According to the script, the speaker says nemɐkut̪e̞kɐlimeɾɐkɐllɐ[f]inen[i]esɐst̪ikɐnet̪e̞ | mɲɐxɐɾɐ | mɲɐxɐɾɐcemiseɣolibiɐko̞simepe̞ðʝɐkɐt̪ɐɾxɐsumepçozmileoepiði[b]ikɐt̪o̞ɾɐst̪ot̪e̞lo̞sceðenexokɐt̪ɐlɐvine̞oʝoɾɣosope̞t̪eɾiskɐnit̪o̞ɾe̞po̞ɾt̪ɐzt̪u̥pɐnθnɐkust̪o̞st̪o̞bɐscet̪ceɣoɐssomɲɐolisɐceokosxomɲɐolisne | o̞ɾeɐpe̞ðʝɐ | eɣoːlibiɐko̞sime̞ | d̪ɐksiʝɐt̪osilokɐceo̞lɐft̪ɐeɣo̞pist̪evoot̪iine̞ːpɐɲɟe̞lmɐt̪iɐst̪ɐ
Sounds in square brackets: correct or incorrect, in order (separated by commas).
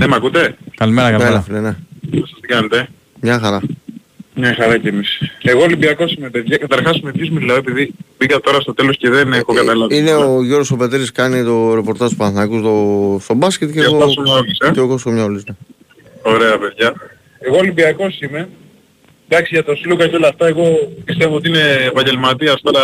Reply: correct, incorrect, correct